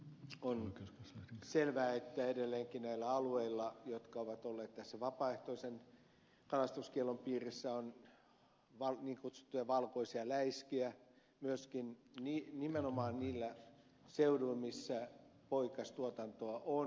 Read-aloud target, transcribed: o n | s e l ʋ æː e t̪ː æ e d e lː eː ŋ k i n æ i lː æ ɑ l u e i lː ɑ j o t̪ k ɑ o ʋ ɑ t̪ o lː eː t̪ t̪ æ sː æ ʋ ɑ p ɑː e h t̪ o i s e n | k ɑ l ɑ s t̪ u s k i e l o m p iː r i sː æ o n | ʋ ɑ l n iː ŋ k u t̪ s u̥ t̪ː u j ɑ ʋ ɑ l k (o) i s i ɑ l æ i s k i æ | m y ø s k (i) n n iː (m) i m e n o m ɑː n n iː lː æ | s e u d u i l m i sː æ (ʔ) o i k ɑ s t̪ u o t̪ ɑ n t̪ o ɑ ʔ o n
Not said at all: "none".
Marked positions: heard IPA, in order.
o, i, n, p

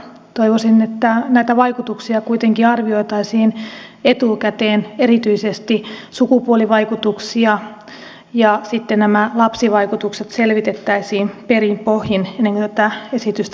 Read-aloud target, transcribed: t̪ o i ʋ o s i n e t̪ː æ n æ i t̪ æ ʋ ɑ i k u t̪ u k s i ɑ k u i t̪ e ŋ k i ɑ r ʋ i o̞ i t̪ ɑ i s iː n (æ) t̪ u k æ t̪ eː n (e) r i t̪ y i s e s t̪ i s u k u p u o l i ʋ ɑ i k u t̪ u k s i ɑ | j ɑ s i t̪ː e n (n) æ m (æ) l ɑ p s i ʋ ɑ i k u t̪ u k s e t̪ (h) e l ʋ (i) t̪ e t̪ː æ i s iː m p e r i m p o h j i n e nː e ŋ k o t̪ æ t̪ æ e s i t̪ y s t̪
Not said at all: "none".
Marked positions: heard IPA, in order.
e, e, n, æ, s, i

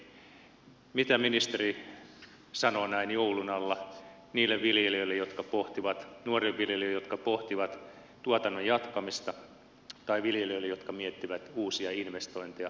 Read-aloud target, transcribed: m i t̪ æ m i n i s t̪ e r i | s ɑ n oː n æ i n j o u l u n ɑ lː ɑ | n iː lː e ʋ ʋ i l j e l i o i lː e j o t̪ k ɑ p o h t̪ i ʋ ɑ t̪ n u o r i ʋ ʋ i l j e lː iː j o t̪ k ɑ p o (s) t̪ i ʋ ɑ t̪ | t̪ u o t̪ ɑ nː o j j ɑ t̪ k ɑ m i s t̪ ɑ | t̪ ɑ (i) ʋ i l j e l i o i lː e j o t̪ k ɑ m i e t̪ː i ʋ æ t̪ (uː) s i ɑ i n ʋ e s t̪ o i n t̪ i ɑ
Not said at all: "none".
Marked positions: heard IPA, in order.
h, i, uː

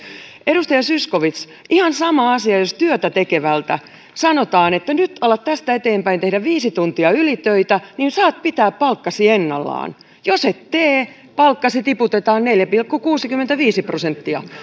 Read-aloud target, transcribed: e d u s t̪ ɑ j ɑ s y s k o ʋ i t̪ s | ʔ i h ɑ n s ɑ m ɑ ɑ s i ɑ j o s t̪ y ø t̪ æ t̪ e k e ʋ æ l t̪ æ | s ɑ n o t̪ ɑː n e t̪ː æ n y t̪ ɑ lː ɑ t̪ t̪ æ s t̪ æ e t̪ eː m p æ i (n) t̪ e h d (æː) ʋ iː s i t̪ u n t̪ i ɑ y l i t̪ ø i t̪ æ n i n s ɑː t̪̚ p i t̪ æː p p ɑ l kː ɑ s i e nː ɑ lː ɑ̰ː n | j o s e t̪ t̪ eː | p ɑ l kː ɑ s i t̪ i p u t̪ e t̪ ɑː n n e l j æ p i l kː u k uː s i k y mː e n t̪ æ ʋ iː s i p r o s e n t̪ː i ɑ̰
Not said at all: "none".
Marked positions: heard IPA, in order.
n, æ

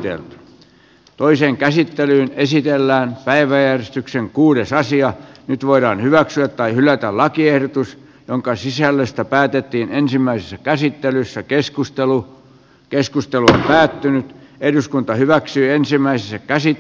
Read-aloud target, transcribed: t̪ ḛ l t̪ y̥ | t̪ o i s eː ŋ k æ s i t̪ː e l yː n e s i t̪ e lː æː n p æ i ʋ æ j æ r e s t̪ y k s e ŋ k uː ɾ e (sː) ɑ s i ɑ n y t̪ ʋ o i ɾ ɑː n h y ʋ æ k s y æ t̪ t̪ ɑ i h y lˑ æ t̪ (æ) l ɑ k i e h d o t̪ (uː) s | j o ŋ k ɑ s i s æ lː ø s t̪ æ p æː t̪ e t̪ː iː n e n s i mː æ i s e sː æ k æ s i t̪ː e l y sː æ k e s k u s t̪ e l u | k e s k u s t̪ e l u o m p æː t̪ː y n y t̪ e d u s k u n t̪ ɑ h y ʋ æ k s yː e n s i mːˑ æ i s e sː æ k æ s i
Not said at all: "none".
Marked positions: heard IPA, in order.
s, æ, u

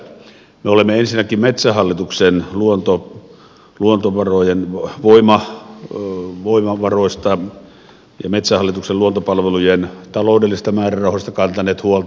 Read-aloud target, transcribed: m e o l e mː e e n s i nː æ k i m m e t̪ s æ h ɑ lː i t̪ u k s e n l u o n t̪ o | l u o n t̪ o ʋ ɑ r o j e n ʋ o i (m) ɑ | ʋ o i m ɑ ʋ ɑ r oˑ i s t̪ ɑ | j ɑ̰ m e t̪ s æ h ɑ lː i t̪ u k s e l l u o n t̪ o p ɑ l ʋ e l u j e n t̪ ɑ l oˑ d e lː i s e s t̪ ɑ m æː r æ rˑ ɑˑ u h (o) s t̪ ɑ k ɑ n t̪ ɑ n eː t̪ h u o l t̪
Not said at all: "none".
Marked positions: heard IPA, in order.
m, o

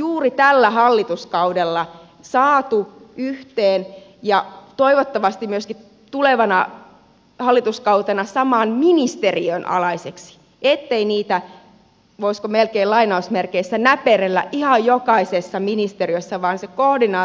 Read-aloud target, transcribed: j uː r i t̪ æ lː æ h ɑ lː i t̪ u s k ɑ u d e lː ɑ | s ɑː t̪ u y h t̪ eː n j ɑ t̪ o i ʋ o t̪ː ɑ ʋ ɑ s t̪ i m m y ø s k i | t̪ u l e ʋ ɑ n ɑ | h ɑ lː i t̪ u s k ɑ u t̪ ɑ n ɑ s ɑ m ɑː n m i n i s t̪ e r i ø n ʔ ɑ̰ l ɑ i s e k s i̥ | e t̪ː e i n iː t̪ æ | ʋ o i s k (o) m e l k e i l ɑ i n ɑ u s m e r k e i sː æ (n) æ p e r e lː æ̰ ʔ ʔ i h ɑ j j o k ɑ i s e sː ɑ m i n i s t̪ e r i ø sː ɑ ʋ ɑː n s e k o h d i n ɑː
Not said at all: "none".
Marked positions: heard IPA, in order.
o, n

